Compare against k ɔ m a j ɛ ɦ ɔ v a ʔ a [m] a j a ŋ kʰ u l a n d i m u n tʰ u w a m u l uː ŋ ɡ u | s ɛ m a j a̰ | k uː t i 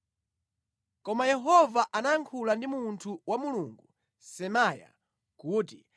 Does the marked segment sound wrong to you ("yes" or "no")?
yes